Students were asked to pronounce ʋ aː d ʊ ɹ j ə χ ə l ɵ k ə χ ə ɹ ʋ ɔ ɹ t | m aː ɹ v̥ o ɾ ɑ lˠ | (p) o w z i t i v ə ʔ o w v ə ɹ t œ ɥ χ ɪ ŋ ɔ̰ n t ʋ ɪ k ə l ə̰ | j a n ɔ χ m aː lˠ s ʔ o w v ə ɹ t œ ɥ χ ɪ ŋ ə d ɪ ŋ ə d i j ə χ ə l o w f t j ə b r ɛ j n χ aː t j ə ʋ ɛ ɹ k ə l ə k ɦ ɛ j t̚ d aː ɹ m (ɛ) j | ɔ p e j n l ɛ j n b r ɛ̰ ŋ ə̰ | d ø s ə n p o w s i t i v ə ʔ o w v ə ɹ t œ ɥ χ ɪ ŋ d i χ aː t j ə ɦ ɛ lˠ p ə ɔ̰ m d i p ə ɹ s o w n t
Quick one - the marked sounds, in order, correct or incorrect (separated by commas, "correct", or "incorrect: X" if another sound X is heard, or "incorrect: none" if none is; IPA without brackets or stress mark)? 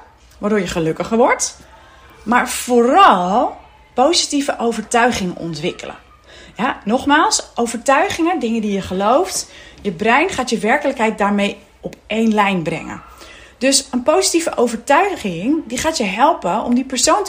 correct, incorrect: e